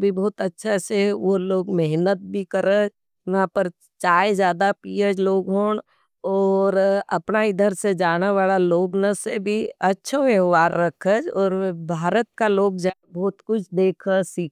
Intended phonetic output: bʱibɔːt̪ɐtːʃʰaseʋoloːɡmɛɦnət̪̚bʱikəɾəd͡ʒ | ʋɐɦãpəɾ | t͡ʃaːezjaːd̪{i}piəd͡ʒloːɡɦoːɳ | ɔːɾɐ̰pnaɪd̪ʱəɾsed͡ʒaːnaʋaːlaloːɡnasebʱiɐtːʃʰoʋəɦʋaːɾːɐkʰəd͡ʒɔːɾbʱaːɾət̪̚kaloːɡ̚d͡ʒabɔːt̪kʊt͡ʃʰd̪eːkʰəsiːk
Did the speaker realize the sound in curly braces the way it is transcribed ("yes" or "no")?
no